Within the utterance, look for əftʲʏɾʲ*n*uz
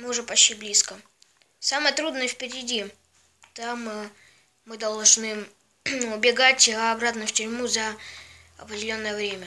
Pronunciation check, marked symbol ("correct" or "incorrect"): incorrect